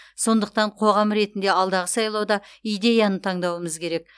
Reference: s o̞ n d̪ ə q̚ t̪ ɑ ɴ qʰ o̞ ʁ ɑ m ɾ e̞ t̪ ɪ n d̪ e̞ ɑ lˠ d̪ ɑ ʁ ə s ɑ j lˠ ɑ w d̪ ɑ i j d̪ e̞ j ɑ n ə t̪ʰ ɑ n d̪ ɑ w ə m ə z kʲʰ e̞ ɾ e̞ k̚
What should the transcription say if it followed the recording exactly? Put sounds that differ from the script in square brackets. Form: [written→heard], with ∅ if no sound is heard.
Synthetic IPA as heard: s o̞ n d̪ ə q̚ t̪ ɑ ɴ qʰ o̞ ʁ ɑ m ɾ e̞ t̪ ɪ n d̪ e̞ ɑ lˠ d̪ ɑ ʁ ə s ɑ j lˠ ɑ w d̪ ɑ i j d̪ e̞ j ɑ n ə t̪ʰ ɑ [n→ɴ] d̪ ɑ w ə m ə z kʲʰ e̞ ɾ e̞ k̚